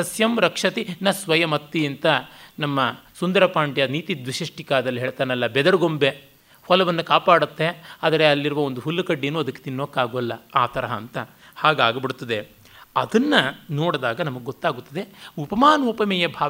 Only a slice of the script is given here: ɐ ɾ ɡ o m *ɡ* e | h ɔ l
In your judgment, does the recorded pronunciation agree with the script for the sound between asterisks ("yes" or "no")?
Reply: no